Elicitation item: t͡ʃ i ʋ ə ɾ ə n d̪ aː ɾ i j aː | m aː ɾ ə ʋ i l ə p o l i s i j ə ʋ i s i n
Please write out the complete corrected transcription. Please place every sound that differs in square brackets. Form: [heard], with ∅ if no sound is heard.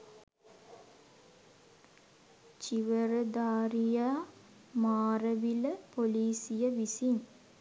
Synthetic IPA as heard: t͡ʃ i ʋ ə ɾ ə [∅] d̪ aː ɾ i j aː | m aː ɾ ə ʋ i l ə p o l [iː] s i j ə ʋ i s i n